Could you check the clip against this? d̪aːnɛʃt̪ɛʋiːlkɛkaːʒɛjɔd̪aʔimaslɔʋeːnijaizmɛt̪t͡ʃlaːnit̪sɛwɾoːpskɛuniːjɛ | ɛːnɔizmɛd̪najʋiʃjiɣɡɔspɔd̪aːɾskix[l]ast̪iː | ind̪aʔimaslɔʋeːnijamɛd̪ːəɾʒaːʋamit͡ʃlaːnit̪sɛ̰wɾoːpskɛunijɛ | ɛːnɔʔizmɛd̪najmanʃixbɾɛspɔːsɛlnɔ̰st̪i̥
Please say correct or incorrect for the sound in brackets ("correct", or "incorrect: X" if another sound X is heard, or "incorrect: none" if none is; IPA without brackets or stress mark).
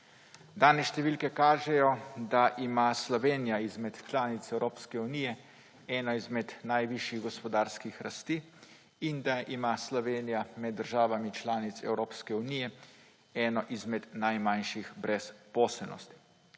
incorrect: ɾ